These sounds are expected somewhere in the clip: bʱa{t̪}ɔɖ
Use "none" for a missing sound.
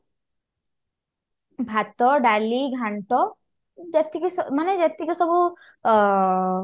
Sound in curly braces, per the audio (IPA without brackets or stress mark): t̪